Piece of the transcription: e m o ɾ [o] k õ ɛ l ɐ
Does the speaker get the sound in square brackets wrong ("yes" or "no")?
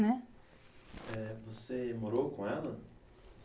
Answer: no